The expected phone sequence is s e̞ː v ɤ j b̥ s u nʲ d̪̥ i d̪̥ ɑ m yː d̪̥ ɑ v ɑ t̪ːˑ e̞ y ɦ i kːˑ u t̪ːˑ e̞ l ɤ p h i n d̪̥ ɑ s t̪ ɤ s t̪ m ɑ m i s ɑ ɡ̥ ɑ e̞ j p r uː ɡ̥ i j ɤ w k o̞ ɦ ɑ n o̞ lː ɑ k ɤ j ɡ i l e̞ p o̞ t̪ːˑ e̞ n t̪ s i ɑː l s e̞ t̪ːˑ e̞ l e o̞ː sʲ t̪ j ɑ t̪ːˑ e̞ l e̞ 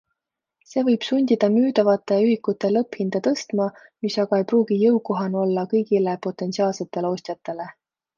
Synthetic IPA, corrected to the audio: s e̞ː v ɤ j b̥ s u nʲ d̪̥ i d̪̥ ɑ m yː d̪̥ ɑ v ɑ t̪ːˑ e̞ y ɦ i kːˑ u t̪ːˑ e̞ l ɤ p h i n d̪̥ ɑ t̪ ɤ s t̪ m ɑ m i s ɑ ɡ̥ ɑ e̞ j p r uː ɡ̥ i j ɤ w k o̞ ɦ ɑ n o̞ lː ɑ k ɤ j ɡ i l e̞ p o̞ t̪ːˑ e̞ n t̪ s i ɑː l s e̞ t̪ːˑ e̞ l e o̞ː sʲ t̪ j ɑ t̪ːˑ e̞ l e̞